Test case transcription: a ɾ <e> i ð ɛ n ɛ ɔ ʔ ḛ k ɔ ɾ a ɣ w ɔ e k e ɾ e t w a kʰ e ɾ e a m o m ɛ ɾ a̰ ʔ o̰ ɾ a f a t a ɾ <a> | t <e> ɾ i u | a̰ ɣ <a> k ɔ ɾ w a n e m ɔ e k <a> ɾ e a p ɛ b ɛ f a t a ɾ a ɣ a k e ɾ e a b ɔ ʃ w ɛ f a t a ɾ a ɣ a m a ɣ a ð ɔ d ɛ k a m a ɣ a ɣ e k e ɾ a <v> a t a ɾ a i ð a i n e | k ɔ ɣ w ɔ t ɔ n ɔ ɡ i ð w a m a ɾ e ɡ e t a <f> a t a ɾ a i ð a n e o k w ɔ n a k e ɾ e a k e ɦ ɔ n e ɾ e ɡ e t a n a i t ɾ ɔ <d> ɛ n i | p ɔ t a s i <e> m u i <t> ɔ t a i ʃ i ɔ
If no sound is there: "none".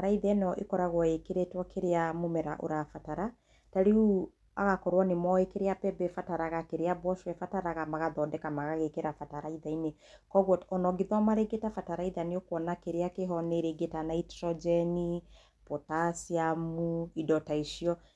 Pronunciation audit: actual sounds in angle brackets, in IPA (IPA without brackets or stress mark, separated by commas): a, a, a, a, e, f, f, d͡ʒ, a, d